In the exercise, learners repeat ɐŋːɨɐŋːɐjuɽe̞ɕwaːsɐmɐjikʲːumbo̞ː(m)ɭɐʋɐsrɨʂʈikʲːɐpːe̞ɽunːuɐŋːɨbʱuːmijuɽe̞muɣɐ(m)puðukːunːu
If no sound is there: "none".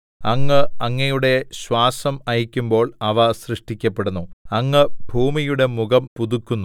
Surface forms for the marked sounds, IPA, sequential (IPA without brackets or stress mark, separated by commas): none, m